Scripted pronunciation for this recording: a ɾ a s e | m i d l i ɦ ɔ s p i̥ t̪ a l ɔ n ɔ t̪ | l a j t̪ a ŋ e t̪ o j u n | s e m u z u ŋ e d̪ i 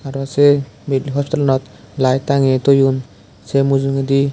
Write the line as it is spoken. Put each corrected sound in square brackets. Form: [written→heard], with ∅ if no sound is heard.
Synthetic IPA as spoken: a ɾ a s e | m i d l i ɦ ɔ s p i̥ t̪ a l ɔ n ɔ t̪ | l a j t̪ a ŋ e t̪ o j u n | s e m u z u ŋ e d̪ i